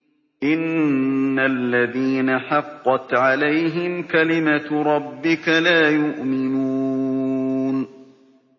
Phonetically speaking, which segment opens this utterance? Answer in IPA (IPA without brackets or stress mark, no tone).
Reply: ʔ